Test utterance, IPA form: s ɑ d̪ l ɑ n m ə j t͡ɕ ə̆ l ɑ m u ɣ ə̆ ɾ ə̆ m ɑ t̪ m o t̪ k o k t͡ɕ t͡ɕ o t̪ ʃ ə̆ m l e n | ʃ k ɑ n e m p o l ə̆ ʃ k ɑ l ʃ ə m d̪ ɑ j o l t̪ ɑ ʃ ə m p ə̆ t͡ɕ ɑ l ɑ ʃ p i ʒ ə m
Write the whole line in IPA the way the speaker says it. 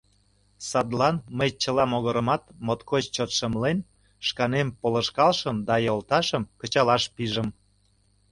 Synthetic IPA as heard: s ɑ d̪ l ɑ n m ə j t͡ɕ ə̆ l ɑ m o ɣ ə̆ ɾ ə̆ m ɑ t̪ m o t̪ k o t͡ɕ t͡ɕ o t̪ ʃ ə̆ m l e n | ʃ k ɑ n e m p o l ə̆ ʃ k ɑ l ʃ ə m d̪ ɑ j o l t̪ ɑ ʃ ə m k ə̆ t͡ɕ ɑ l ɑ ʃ p i ʒ ə m